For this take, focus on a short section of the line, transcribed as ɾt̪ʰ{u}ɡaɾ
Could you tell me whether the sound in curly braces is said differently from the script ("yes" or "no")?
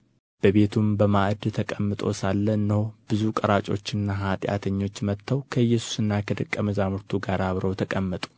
no